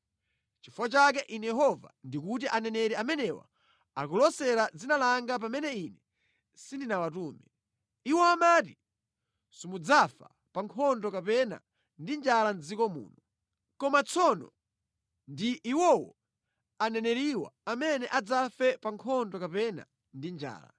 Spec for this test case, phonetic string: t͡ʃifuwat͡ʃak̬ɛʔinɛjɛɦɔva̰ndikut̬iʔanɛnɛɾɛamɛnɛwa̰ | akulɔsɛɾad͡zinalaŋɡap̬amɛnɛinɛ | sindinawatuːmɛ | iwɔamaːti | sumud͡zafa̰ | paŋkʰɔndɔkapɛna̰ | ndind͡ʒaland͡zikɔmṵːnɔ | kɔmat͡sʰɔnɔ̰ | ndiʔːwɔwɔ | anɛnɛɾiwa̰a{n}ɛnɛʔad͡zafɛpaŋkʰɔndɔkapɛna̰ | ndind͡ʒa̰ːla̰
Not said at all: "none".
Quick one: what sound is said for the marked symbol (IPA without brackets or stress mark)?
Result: m